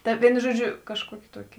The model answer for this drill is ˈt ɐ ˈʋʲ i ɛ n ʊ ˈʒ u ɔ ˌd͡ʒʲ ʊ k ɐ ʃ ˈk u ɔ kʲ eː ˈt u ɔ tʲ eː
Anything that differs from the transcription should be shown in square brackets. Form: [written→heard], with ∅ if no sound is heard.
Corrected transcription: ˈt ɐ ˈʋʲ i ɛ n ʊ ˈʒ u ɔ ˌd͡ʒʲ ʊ k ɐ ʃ ˈk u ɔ kʲ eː ˈt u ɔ [tʲ→kʲ] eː